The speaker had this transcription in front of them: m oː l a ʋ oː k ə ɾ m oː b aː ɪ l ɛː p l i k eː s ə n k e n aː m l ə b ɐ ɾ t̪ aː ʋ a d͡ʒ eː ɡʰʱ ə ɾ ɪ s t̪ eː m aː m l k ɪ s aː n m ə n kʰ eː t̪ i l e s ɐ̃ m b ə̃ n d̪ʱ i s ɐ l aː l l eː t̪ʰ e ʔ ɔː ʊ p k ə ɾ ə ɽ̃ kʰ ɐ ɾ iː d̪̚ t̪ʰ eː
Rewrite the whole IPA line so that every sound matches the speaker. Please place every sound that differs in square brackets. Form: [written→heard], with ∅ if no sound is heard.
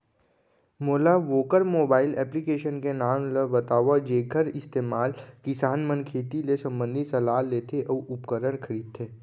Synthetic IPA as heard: m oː l a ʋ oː k ə ɾ m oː b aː ɪ l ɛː p l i k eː [s→ʃ] ə n k e n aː m l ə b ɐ [ɾ→∅] t̪ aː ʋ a d͡ʒ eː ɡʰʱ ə ɾ ɪ s t̪ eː m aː [m→∅] l k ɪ s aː n m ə n kʰ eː t̪ i l e s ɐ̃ m b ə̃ n d̪ʱ i s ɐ l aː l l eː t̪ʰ e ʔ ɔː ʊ p k ə ɾ ə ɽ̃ kʰ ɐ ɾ iː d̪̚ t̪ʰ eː

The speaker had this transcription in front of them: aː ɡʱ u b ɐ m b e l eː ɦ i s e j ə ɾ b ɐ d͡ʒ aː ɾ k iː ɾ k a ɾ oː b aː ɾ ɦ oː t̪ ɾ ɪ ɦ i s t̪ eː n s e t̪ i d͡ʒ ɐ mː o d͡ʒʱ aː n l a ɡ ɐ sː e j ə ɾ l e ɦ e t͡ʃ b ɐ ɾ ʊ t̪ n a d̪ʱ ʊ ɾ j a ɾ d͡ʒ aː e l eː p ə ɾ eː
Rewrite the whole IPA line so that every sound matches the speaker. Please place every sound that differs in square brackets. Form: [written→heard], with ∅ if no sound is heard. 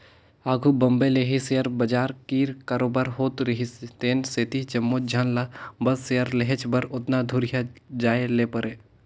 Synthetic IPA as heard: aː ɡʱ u b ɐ m b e l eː ɦ i s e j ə ɾ b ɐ d͡ʒ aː ɾ k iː ɾ k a ɾ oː b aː ɾ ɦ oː t̪ ɾ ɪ ɦ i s t̪ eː n s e t̪ i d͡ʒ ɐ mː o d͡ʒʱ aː n l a [ɡ→b] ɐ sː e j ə ɾ l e ɦ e t͡ʃ b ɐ ɾ ʊ t̪ n a d̪ʱ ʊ ɾ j a [ɾ→∅] d͡ʒ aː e l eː p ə ɾ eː

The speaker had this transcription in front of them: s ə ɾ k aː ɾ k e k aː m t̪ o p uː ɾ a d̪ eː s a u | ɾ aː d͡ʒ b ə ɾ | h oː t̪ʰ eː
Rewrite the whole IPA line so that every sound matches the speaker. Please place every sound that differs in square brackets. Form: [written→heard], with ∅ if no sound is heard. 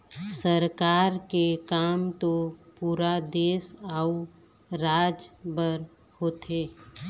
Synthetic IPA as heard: s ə ɾ k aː ɾ k e k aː m t̪ o p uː ɾ a d̪ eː s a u | ɾ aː d͡ʒ b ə ɾ | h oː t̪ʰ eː

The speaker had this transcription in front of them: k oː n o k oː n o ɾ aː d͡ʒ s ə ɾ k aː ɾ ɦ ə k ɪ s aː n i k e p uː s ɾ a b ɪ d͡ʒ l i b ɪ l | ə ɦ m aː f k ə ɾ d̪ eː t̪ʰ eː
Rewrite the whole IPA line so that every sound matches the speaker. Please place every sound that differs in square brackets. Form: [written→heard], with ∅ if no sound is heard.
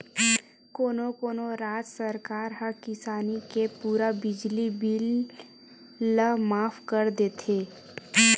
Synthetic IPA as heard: k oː n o k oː n o ɾ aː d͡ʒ s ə ɾ k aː ɾ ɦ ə k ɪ s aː n i k e p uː [s→∅] ɾ a b ɪ d͡ʒ l i b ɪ l | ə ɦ m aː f k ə ɾ d̪ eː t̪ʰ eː

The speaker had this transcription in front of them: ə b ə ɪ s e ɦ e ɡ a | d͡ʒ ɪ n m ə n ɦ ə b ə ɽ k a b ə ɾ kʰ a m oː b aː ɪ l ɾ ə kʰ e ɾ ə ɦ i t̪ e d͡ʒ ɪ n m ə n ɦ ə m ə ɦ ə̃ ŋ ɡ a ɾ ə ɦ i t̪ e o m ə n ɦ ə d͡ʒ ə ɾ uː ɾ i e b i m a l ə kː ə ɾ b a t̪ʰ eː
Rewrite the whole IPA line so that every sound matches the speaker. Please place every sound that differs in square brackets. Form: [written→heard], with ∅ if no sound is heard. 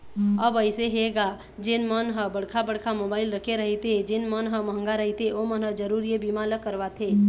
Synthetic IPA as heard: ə b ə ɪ s e ɦ e ɡ a | d͡ʒ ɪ n m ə n ɦ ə b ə ɽ [k→kʰ] a b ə [ɾ→ɽ] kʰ a m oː b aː ɪ l ɾ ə kʰ e ɾ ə ɦ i t̪ e d͡ʒ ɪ n m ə n ɦ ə m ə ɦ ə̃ ŋ ɡ a ɾ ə ɦ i t̪ e o m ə n ɦ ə d͡ʒ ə ɾ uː ɾ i e b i m a l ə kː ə ɾ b a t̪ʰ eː

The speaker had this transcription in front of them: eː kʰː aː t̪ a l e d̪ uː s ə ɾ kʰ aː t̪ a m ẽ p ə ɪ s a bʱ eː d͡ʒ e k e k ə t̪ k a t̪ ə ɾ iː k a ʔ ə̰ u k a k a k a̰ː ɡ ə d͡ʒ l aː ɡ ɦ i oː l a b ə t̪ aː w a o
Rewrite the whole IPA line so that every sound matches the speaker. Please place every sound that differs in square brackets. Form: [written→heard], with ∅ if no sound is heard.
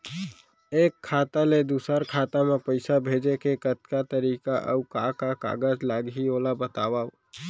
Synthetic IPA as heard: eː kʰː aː t̪ a l e d̪ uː s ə ɾ kʰ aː t̪ a m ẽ p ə ɪ s a bʱ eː d͡ʒ e k e k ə t̪ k a t̪ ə ɾ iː k a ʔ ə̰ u k a k a k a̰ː ɡ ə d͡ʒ l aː ɡ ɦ i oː l a b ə t̪ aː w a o

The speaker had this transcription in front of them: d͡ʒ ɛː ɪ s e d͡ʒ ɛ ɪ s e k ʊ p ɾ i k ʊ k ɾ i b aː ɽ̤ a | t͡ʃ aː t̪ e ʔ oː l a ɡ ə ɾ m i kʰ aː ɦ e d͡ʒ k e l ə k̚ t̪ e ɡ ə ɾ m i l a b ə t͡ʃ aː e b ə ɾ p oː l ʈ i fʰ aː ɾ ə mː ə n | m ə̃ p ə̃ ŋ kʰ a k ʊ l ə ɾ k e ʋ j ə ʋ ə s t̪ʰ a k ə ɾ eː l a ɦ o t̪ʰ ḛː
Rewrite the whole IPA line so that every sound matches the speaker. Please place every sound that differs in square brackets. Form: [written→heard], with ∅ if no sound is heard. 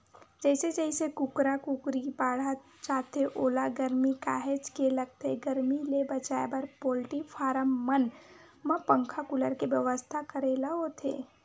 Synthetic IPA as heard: d͡ʒ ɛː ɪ s e d͡ʒ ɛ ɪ s e k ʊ [p→k] ɾ [i→a] k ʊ k ɾ i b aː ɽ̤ a | t͡ʃ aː t̪ e ʔ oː l a ɡ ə ɾ m i [kʰ→k] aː ɦ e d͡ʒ k e l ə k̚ t̪ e ɡ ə ɾ m i l [a→e] b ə t͡ʃ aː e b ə ɾ p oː l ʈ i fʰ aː ɾ ə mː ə n | m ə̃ p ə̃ ŋ kʰ a k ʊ l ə ɾ k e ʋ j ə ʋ ə s t̪ʰ a k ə ɾ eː l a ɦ o t̪ʰ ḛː

